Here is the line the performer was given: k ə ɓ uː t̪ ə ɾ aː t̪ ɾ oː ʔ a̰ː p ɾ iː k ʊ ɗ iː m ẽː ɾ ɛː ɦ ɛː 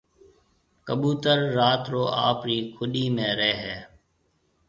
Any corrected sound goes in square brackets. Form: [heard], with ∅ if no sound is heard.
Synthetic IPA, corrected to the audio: k ə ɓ uː t̪ ə [ɾː] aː t̪ ɾ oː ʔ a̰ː p ɾ iː [kʰ] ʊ ɗ iː m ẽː ɾ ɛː ɦ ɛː